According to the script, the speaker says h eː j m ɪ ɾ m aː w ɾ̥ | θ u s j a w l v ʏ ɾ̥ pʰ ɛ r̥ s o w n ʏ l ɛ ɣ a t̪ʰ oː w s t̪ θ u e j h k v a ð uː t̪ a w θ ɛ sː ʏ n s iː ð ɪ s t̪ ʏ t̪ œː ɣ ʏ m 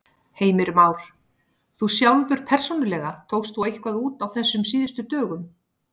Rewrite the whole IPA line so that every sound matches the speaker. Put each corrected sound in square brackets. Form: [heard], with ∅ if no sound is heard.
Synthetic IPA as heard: h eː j m ɪ ɾ m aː w ɾ̥ | θ u s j a w l v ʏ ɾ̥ pʰ ɛ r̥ s o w n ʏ l ɛ ɣ a t̪ʰ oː w s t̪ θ u e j h k v a ð uː t̪ a w θ ɛ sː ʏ [m] s iː ð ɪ s t̪ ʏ t̪ œː ɣ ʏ m